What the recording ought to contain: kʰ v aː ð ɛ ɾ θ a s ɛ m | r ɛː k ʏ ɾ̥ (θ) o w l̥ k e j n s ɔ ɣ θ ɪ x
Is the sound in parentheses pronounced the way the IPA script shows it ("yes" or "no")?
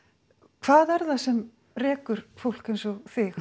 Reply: no